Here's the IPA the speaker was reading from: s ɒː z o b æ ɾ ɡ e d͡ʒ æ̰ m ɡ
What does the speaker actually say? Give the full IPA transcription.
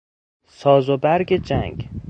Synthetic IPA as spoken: s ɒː z o b æ ɾ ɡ e d͡ʒ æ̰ ŋ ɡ